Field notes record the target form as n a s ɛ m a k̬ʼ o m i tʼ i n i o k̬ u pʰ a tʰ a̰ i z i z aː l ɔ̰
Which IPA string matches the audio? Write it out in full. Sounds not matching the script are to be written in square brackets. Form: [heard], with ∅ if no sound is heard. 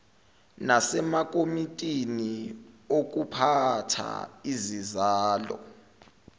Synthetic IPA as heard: n a s ɛ m a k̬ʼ o m i tʼ i n i o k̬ u pʰ a tʰ a̰ i z i z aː l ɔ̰